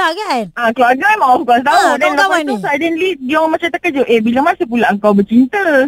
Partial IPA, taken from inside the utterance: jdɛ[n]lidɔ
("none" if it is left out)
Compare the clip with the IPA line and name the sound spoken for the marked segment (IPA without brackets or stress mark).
n